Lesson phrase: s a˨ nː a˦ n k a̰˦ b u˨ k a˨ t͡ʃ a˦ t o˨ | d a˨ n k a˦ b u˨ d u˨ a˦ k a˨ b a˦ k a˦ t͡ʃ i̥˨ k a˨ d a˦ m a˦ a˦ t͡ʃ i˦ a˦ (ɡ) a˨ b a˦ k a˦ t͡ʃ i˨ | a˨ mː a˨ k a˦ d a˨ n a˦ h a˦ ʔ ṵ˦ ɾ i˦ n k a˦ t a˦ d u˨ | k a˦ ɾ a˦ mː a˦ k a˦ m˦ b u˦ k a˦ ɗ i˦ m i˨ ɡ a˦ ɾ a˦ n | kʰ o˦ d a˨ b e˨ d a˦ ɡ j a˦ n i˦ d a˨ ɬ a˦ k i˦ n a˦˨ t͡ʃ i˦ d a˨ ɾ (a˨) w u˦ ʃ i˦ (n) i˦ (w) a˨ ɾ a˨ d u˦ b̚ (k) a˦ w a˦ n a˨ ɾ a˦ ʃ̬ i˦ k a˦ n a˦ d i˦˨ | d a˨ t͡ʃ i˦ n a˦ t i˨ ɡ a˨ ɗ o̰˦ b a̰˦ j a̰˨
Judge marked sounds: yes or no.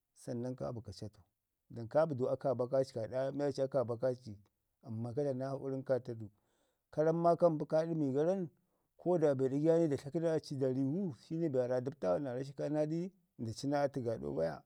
no, no, yes, no, no

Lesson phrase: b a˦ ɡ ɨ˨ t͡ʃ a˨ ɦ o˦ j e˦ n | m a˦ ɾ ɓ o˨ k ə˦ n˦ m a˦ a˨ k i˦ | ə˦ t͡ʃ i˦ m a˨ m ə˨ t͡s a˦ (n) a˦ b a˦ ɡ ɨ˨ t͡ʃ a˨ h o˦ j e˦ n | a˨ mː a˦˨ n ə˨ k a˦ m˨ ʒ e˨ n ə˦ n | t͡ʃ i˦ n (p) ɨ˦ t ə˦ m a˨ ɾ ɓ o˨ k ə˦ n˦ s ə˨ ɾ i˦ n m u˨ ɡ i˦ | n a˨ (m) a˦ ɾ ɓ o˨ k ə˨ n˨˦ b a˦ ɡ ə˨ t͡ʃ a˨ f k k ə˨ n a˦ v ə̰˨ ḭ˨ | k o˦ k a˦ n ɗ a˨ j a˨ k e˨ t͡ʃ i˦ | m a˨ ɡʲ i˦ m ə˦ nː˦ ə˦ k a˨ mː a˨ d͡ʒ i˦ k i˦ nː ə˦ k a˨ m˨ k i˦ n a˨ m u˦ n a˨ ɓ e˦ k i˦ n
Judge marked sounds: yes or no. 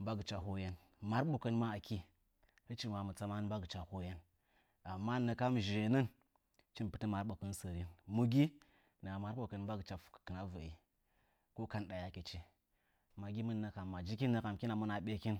no, yes, yes

